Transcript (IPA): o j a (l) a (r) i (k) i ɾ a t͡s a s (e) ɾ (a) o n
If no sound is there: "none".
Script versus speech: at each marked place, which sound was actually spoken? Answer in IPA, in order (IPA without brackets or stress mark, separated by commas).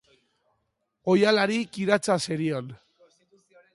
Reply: l, ɾ, k, e, i